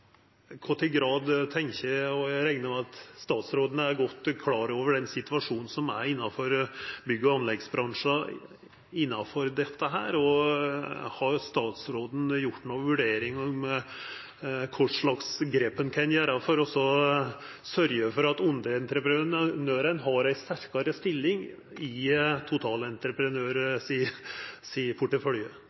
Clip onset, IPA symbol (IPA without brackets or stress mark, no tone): kʰ